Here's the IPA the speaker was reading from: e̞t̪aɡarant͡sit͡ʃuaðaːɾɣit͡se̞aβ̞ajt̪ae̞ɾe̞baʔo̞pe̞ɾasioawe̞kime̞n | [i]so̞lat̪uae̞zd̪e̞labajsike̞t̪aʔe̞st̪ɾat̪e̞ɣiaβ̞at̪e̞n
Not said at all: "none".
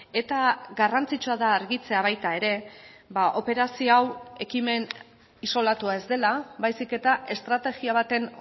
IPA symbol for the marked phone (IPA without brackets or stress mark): i